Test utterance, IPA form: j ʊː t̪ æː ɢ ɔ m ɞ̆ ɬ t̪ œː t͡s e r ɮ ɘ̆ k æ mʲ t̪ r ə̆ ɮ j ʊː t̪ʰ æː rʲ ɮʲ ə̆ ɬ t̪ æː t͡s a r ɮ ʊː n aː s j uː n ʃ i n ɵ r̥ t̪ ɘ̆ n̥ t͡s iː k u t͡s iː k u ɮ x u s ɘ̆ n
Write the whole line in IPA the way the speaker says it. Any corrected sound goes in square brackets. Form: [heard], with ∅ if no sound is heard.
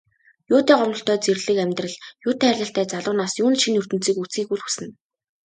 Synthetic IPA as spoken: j ʊː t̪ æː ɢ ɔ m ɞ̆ ɬ t̪ œː t͡s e r ɮ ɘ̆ k æ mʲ t̪ r ə̆ ɮ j ʊː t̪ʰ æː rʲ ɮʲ ə̆ ɬ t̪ æː t͡s a [∅] ɮ ʊː n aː s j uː n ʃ i n ɵ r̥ t̪ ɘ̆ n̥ t͡s iː k u t͡s iː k u ɮ x u s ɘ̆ n